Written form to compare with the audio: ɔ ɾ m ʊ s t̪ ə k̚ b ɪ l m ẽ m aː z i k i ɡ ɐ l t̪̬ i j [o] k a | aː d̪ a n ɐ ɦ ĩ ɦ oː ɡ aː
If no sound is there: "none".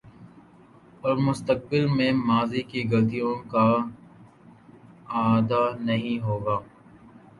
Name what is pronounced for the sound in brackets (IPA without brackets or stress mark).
õ